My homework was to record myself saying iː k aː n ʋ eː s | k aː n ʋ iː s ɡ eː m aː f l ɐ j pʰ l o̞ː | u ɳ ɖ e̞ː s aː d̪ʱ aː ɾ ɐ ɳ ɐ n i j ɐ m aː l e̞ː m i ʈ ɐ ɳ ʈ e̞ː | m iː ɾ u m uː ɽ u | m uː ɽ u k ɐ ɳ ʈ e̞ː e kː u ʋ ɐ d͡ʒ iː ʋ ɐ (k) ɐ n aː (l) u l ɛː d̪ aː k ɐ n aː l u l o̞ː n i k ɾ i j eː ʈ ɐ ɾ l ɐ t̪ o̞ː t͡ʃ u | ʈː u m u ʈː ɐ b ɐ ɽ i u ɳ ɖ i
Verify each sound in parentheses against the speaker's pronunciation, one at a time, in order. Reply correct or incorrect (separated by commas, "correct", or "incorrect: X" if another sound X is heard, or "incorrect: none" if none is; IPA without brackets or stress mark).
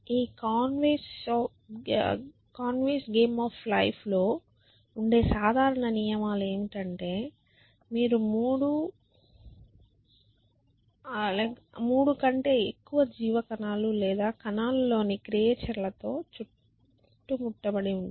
correct, correct